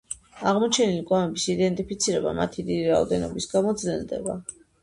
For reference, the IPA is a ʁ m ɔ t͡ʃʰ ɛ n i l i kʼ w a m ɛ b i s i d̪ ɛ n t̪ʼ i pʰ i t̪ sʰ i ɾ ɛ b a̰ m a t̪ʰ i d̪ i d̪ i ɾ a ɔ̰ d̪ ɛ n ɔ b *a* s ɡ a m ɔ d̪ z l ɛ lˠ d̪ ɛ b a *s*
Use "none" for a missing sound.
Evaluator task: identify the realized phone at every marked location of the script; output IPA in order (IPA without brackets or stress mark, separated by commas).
i, none